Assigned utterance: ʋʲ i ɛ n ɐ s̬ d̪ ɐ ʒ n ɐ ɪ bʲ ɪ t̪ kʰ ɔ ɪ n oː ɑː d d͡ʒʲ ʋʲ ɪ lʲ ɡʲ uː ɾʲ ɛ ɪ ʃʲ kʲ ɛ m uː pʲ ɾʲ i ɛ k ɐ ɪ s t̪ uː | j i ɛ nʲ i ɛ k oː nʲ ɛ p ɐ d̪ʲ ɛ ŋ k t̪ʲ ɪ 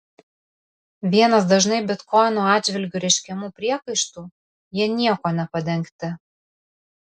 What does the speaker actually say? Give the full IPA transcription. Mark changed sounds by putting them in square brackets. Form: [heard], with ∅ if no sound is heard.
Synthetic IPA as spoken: ʋʲ i ɛ n ɐ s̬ d̪ ɐ ʒ n ɐ ɪ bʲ ɪ t̪ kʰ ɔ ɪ n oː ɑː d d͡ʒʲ ʋʲ ɪ lʲ ɡʲ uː ɾʲ ɛ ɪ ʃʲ kʲ ɛ m uː pʲ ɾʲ i ɛ k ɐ ɪ [ʃ] t̪ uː | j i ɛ nʲ i ɛ k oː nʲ ɛ p ɐ d̪ʲ ɛ ŋ k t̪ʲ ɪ